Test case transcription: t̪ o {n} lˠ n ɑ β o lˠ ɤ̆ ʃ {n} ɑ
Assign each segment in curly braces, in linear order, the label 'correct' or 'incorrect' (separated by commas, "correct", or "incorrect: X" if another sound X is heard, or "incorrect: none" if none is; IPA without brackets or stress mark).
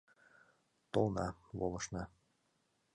incorrect: none, correct